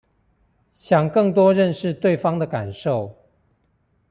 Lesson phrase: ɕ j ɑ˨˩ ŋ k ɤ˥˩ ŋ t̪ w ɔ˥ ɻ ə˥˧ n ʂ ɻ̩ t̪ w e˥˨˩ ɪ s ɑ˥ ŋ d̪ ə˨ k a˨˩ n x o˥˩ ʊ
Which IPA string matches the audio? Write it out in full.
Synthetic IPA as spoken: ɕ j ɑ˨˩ ŋ k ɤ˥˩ ŋ t̪ w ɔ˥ ɻ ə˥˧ n ʂ ɻ̩ t̪ w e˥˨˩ ɪ f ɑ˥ ŋ d̪ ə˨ k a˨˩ n ʂ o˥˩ ʊ